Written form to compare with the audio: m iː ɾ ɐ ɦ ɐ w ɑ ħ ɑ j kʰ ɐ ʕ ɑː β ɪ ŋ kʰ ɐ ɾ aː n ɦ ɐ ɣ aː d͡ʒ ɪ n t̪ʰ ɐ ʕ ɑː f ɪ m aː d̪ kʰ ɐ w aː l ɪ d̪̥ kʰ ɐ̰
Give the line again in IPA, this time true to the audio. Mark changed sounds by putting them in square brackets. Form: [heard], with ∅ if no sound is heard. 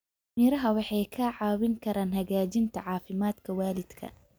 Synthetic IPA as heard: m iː ɾ ɐ ɦ ɐ w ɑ ħ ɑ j kʰ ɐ ʕ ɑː [w] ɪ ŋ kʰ ɐ ɾ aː n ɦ ɐ ɣ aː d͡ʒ ɪ n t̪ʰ ɐ ʕ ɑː f ɪ m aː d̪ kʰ ɐ w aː l ɪ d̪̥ kʰ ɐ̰